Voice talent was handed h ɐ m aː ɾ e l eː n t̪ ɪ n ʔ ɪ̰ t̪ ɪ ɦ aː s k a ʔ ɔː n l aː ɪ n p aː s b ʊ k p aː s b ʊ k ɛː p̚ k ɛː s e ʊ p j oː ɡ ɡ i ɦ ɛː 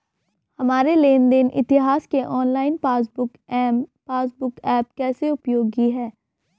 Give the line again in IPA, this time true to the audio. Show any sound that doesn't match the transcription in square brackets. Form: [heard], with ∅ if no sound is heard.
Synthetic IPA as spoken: h ɐ m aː ɾ e l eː n [d̪] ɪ n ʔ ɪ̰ t̪ ɪ ɦ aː s k [e] ʔ ɔː n l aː ɪ n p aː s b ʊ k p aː s b ʊ k ɛː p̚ k ɛː s e ʊ p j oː ɡ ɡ i ɦ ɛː